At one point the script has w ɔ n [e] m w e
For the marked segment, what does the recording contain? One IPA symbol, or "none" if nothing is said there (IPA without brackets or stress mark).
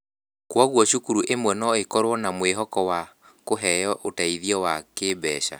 a